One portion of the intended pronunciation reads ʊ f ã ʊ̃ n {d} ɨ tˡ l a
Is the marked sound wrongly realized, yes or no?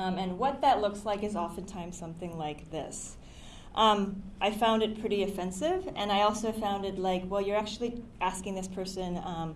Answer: no